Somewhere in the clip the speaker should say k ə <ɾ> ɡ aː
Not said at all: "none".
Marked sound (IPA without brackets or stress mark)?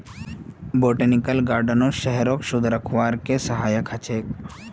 l